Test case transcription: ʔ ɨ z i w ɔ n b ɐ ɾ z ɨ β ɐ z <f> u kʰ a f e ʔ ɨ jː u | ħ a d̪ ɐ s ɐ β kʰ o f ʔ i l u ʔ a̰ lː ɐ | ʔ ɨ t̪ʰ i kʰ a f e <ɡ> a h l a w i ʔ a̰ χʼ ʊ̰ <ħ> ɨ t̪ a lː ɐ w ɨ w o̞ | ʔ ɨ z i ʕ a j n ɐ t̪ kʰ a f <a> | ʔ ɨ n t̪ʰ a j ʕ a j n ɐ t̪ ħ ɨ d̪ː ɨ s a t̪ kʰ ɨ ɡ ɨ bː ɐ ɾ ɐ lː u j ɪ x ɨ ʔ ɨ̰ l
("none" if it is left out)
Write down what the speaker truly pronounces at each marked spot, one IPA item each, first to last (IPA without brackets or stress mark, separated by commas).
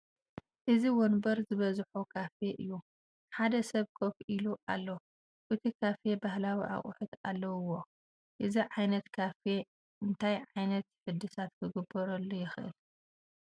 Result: ħ, b, ħ, e